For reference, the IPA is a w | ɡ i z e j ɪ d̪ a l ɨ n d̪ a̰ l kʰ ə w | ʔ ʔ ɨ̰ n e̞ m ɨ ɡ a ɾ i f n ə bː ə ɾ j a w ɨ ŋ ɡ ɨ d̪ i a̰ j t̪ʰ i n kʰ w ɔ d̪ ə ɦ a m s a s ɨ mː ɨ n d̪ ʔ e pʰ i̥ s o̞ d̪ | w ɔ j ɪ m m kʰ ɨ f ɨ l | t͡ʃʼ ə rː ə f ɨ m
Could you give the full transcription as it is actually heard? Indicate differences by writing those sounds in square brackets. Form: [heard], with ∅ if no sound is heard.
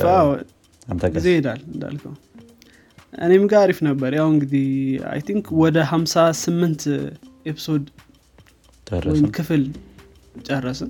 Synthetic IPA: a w | ɡ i z e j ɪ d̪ a l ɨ n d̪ a̰ l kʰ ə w | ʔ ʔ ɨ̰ n e̞ m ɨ ɡ a ɾ i f n ə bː ə ɾ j a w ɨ ŋ ɡ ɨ d̪ i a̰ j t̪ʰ i [ŋ] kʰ w ɔ d̪ ə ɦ a m s a s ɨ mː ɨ n [t̪] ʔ e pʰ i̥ s o̞ d̪ | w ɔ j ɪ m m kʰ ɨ f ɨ l | t͡ʃʼ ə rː ə [s] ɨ [n]